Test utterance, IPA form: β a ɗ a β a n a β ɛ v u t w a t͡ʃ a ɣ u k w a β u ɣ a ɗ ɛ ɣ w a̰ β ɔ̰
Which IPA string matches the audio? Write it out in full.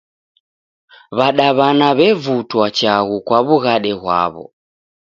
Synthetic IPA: β a ɗ a β a n a β ɛ v u t w a t͡ʃ a ɣ u k w a β u ɣ a ɗ ɛ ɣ w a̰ β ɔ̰